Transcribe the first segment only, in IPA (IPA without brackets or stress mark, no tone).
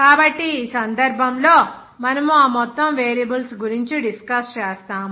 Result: k